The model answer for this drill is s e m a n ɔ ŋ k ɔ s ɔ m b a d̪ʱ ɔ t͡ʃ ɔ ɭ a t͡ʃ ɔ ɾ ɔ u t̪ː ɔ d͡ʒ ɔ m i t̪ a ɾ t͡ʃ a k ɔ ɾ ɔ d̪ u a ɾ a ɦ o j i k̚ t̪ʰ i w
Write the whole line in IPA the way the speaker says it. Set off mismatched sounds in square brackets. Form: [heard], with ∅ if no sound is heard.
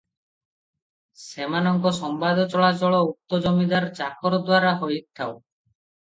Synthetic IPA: s e m a n ɔ ŋ k ɔ s ɔ m b a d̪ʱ ɔ t͡ʃ ɔ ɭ a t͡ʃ ɔ [ɭ] ɔ u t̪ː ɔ d͡ʒ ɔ m i [d̪] a ɾ t͡ʃ a k ɔ ɾ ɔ d̪ [w] a ɾ a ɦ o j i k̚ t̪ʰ [a] w